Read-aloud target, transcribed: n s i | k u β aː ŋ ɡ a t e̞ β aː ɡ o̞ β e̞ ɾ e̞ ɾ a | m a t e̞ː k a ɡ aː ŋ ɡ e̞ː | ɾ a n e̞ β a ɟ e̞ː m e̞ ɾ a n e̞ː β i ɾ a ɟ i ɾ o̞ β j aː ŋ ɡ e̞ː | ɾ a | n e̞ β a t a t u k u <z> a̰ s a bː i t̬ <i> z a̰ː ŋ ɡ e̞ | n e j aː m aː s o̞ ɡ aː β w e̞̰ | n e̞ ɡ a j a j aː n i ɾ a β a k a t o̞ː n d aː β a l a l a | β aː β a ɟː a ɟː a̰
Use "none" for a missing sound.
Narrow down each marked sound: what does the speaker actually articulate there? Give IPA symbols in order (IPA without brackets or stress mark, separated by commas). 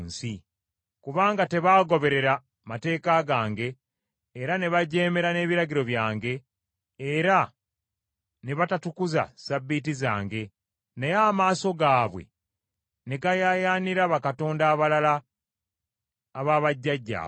z, i